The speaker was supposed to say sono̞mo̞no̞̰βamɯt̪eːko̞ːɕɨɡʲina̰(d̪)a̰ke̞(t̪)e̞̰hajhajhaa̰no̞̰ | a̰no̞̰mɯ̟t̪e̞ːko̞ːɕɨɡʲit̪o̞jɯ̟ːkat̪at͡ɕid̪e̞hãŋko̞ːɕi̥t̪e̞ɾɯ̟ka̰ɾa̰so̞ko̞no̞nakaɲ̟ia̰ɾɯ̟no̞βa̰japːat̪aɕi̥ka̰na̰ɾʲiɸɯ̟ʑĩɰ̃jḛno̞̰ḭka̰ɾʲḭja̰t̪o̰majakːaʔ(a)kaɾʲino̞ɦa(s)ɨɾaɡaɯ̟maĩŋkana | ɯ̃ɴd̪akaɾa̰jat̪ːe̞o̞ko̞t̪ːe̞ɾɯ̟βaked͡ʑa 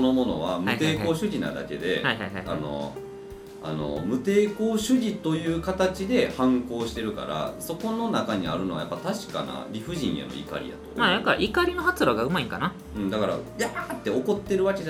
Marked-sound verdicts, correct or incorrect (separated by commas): correct, incorrect, incorrect, incorrect